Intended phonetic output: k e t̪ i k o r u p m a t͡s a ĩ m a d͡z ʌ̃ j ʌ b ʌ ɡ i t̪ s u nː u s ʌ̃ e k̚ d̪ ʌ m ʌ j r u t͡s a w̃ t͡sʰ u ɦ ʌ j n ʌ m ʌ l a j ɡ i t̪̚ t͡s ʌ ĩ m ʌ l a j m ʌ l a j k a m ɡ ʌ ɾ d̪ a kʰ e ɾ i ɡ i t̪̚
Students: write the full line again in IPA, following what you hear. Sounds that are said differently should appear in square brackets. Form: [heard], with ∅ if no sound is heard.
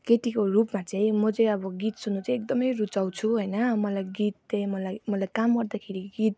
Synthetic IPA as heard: k e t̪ i k o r u p m a t͡s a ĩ m [ʌ] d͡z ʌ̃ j ʌ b ʌ ɡ i t̪ s u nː u [t͡s] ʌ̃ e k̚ d̪ ʌ m ʌ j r u t͡s a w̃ t͡sʰ u ɦ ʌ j n ʌ m ʌ l a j ɡ i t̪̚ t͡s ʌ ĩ m ʌ l a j m ʌ l a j k a m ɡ ʌ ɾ d̪ a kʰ e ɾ i ɡ i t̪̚